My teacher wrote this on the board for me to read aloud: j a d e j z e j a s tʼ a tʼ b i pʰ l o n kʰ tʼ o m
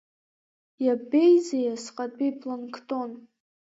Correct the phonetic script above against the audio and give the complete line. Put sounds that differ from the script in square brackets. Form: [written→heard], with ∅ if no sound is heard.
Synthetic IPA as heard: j a [d→b] e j z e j a s [tʼ→qʼ] a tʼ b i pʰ l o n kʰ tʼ o [m→n]